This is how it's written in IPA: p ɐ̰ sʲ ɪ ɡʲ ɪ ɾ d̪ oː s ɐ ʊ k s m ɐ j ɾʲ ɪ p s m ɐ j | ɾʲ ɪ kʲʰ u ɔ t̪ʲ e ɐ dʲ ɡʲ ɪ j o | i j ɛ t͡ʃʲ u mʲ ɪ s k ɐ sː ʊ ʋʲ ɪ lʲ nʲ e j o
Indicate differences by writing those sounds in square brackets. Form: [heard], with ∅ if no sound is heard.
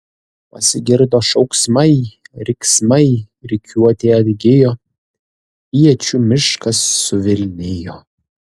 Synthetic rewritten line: p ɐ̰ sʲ ɪ ɡʲ ɪ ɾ d̪ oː [ʃ] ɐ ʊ k s m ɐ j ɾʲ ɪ [k] s m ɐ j | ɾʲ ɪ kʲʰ u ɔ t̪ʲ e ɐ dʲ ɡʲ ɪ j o | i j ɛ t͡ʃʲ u mʲ ɪ [ʃ] k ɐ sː ʊ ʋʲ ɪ lʲ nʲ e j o